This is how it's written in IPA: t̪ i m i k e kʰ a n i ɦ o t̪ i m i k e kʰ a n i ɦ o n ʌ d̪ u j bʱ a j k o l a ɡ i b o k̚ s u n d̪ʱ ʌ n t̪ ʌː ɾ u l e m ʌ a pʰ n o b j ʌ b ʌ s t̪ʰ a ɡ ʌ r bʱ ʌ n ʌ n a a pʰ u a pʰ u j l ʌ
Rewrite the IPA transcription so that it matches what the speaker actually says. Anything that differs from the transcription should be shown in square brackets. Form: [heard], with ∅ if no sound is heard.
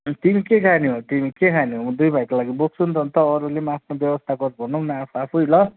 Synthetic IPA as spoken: t̪ i m i k e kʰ a n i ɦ o t̪ i m i k e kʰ a n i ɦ o [m] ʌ d̪ u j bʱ a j k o l a ɡ i b o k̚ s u n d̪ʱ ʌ n t̪ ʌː ɾ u l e m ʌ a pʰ n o b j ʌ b ʌ s t̪ʰ a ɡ ʌ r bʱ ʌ n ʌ n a a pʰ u a pʰ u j l ʌ